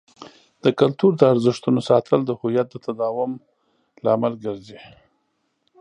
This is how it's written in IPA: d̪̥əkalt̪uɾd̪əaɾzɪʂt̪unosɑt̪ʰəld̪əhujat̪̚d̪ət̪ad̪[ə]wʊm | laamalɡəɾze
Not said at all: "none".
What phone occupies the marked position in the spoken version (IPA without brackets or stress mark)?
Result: ɑ